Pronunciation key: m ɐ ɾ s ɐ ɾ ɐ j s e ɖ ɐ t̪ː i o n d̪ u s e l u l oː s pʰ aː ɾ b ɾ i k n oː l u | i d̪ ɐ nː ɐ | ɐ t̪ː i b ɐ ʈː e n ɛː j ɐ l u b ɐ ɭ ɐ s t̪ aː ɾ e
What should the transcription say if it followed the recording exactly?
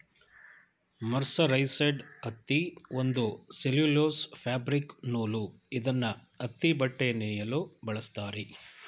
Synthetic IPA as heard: m ɐ ɾ s ɐ ɾ ɐ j s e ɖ ɐ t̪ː i o n d̪ u s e l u l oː s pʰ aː b ɾ i k n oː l u | i d̪ ɐ nː ɐ | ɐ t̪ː i b ɐ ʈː e n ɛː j ɐ l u b ɐ ɭ ɐ s t̪ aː ɾ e